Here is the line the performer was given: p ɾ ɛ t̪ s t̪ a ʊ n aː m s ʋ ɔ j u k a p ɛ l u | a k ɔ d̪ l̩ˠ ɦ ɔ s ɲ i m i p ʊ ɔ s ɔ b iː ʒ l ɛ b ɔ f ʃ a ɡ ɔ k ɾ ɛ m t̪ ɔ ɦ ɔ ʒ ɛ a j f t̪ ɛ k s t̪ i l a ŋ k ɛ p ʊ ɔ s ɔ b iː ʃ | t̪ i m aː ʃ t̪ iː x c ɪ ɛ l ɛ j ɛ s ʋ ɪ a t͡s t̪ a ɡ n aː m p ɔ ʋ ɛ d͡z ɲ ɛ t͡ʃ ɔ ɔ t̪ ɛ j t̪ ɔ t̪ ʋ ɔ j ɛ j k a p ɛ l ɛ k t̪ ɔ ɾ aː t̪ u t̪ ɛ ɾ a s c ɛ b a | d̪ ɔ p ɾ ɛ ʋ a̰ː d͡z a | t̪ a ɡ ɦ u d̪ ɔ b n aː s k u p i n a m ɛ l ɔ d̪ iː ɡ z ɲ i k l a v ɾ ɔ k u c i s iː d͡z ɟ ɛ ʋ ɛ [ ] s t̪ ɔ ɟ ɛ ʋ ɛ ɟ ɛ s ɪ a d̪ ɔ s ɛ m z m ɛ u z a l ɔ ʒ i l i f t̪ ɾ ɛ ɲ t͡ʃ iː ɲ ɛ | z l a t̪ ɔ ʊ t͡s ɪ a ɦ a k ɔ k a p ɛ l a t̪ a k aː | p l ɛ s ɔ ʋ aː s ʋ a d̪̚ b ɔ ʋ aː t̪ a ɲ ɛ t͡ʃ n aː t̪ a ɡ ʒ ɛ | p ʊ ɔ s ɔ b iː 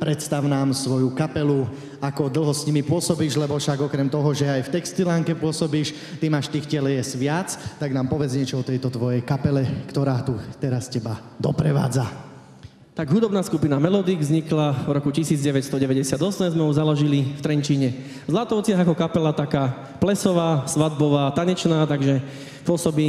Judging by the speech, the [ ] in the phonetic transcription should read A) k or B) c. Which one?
B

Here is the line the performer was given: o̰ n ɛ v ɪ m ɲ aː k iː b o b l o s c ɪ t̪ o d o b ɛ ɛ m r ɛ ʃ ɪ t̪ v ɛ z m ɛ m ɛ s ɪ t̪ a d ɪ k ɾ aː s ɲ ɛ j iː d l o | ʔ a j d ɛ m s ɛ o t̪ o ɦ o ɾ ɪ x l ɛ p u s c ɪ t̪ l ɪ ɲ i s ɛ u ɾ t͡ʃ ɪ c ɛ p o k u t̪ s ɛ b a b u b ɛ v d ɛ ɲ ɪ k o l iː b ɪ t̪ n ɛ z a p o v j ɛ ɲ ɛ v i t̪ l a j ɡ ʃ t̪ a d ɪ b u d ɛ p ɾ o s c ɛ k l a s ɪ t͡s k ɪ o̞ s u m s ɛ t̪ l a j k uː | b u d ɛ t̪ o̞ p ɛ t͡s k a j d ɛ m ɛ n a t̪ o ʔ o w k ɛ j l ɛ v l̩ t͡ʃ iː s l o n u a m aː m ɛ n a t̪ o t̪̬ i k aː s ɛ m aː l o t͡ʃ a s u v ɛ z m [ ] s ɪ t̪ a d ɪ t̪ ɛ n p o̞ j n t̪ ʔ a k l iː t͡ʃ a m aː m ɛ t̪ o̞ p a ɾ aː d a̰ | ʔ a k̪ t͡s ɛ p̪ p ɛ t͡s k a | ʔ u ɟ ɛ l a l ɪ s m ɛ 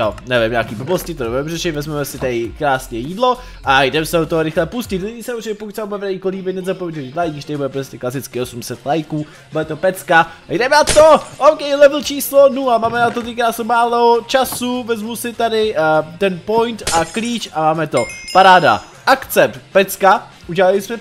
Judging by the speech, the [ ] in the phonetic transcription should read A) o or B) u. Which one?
B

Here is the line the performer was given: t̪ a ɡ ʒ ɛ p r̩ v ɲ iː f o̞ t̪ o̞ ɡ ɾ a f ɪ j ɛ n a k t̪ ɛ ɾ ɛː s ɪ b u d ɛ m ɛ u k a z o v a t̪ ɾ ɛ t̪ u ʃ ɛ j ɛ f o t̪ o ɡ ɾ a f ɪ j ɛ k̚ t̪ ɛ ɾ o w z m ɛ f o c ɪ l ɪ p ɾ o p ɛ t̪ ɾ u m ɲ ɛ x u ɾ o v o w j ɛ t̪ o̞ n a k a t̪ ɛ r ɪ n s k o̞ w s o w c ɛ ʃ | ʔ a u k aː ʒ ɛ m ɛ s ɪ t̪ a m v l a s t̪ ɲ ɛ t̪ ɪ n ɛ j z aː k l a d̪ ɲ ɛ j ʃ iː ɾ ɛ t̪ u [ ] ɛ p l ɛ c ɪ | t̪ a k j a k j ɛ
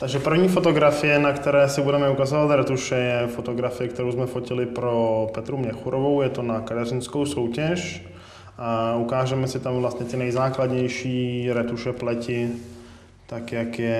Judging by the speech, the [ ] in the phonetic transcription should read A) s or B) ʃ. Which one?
B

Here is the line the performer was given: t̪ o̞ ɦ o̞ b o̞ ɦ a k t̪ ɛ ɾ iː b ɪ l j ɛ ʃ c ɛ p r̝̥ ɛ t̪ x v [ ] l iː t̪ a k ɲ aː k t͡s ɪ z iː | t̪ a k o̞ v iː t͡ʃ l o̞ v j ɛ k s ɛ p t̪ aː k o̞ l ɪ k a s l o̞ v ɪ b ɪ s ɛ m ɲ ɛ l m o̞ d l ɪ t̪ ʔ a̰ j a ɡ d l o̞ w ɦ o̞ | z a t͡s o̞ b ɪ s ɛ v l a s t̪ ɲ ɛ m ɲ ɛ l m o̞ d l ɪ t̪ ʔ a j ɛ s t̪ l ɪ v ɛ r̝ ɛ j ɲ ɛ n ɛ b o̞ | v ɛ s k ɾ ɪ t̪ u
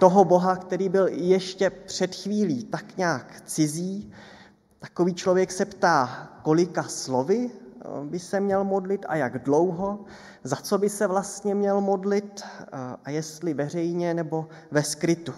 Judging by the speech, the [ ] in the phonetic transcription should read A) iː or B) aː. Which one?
A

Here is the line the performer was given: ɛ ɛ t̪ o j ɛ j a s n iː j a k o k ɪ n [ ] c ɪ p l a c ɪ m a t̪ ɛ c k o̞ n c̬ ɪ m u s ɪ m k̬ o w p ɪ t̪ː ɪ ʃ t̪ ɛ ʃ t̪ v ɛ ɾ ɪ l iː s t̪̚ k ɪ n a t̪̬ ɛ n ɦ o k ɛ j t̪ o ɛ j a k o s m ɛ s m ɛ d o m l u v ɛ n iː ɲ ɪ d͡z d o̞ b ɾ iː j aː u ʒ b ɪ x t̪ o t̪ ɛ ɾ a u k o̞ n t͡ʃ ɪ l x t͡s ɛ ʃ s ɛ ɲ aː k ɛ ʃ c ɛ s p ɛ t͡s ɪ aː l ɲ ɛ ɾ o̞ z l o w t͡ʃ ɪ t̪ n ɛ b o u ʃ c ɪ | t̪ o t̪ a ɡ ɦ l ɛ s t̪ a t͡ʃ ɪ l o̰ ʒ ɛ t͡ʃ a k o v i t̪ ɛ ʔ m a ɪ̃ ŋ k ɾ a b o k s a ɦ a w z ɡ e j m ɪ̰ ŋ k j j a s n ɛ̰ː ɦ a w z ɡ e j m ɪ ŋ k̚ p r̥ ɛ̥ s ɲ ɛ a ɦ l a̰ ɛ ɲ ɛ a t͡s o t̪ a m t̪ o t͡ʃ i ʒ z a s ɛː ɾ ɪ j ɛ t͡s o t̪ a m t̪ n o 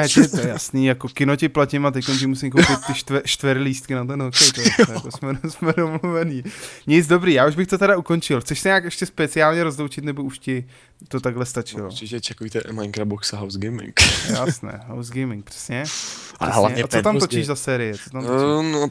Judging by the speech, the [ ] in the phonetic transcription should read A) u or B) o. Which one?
B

